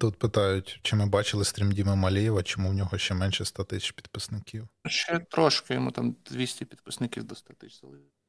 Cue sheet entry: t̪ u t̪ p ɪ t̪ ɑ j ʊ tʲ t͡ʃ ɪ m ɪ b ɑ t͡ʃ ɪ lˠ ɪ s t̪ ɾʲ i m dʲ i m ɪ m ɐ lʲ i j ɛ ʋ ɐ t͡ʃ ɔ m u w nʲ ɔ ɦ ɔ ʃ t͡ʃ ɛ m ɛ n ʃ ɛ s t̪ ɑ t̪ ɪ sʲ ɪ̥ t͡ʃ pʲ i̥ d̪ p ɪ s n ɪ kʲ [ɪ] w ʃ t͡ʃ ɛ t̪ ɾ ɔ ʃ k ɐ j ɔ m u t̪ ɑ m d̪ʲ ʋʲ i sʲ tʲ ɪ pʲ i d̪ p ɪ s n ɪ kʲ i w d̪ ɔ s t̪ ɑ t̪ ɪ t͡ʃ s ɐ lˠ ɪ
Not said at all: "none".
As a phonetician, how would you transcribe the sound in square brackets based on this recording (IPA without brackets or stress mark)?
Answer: i